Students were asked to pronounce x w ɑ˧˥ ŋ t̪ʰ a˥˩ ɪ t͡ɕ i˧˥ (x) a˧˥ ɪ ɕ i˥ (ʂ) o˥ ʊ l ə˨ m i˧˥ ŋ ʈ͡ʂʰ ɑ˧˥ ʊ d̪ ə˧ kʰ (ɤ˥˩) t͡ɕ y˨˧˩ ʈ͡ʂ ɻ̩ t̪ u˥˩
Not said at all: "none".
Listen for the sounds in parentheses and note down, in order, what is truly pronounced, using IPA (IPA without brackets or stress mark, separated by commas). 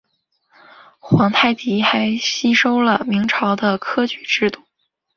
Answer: x, ʂ, ɤ˥